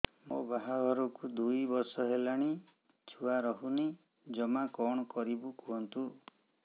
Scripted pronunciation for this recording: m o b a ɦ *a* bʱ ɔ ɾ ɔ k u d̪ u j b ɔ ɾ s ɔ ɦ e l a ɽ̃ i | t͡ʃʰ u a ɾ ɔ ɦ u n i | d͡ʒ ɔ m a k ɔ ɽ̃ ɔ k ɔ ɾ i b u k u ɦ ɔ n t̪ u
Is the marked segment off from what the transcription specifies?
no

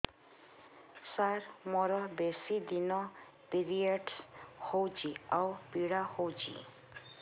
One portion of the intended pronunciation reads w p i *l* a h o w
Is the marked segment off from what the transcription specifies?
yes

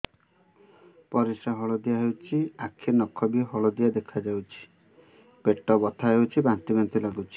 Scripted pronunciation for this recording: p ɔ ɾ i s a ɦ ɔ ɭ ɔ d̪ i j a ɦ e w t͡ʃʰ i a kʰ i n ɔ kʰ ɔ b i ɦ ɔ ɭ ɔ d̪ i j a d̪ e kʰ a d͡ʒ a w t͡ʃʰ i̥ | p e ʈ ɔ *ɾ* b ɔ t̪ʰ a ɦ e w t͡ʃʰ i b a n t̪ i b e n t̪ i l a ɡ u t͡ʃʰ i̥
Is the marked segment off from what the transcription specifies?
yes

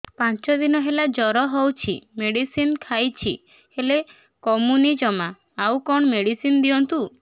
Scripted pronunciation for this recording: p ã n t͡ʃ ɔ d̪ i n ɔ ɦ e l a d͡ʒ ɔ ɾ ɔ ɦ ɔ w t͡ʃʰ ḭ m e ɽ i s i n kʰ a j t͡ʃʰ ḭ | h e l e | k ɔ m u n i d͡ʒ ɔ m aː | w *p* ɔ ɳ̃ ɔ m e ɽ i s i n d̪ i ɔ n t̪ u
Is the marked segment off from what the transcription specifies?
yes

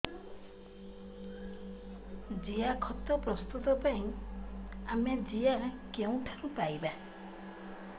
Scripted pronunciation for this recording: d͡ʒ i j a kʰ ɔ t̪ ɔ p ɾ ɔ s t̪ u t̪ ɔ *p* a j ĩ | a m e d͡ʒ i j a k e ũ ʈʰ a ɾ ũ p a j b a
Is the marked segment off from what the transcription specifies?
no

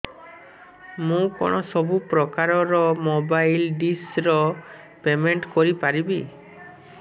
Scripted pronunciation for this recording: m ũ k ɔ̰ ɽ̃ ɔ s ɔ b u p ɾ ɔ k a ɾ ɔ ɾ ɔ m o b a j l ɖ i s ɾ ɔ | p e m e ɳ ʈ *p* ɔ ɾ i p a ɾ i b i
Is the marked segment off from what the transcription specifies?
yes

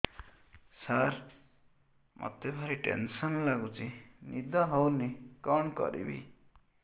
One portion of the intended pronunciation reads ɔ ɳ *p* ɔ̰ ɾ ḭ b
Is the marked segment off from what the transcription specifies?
yes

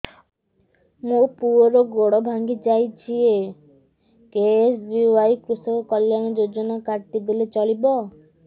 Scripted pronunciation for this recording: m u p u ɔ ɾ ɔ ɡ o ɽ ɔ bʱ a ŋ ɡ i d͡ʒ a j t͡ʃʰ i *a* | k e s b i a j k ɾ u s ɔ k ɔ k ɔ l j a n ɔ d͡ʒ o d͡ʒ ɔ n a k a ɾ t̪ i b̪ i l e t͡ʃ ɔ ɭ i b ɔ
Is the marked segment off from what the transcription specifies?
yes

